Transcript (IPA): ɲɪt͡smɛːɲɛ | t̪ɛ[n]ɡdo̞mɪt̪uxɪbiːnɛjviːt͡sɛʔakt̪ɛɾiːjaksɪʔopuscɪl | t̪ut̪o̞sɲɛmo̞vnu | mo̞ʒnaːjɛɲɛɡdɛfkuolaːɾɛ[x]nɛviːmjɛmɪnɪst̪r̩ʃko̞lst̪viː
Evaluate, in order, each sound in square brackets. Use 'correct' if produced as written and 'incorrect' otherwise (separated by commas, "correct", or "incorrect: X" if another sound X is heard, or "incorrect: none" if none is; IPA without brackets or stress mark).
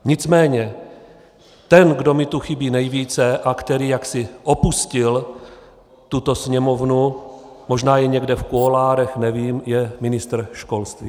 correct, correct